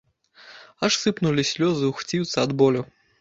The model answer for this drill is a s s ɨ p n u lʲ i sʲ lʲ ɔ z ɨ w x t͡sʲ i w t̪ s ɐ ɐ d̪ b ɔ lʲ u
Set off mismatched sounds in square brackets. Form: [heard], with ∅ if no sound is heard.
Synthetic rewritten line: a [ʂ] s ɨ p n u lʲ i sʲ lʲ ɔ z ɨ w x t͡sʲ i w t̪ s ɐ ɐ d̪ b ɔ lʲ u